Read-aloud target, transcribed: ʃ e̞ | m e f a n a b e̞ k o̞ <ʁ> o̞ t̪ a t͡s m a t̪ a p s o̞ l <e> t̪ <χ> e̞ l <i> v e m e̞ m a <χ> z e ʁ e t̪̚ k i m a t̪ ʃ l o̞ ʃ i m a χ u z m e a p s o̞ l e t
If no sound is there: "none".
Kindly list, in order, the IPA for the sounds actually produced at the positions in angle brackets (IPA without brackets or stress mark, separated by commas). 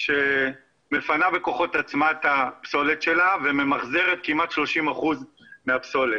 χ, e, ʃ, a, χ